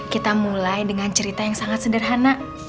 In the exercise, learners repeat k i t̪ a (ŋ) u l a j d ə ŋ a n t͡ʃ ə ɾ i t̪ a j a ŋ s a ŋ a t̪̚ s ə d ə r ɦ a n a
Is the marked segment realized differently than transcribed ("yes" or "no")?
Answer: yes